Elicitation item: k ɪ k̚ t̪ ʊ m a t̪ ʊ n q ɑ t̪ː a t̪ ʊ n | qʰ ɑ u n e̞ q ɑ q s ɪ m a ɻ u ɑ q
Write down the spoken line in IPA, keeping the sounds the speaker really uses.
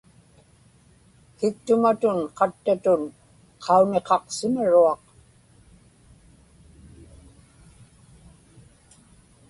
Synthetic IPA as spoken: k ɪ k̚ t̪ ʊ m a t̪ ʊ n q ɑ t̪ː a t̪ ʊ n | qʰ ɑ u n e̞ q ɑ q s ɪ m a ɻ u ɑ q